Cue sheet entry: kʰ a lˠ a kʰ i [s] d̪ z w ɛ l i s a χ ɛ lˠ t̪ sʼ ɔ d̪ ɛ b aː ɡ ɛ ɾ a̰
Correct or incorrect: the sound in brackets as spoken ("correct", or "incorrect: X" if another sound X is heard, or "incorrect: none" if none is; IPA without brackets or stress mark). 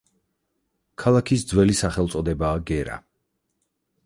correct